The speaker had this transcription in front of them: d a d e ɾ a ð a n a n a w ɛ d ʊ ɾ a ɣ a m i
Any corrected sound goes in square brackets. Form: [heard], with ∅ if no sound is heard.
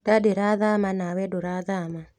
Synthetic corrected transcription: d a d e ɾ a ð a [m] a n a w ɛ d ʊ ɾ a [ð] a m [a]